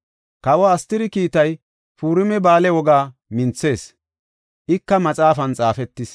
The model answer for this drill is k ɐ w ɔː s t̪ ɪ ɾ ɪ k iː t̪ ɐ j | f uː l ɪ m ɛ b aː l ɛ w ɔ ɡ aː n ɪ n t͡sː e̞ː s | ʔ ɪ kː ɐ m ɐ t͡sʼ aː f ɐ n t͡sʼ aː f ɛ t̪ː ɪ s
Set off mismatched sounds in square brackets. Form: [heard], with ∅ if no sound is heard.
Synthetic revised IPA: k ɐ w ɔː s t̪ ɪ ɾ ɪ k iː t̪ ɐ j | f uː [ɾ] ɪ m ɛ b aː l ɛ w ɔ ɡ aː [m] ɪ n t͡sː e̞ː s | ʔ ɪ kː ɐ m ɐ t͡sʼ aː f ɐ n t͡sʼ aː f ɛ t̪ː ɪ s